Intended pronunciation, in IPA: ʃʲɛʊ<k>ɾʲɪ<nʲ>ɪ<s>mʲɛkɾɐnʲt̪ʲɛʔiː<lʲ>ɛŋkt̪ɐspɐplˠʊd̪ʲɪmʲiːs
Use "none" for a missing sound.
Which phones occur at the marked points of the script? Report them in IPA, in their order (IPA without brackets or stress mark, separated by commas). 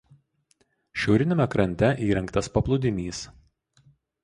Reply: none, nʲ, none, ɾʲ